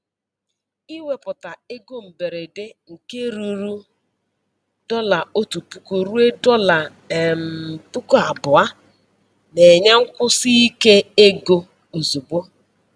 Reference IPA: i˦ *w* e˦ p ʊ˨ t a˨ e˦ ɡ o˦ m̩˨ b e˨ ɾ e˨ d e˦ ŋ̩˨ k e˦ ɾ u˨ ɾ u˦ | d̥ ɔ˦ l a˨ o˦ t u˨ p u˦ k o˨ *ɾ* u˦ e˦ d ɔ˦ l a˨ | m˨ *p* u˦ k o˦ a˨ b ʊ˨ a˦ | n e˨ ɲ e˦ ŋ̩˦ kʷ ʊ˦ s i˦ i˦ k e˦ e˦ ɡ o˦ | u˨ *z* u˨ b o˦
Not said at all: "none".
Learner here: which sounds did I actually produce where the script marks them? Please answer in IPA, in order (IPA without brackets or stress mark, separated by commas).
w, ɾ, p, z